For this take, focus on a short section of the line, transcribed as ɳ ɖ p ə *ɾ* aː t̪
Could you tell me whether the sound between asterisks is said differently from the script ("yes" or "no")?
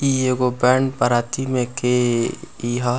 no